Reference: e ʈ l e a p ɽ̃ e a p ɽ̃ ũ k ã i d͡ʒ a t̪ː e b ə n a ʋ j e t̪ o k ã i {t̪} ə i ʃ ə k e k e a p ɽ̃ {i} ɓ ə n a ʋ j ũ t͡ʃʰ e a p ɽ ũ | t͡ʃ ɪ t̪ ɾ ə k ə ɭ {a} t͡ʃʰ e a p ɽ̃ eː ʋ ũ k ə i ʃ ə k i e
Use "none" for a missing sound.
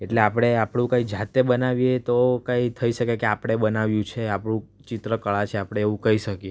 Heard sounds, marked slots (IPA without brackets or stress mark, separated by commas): t̪ʰ, e, a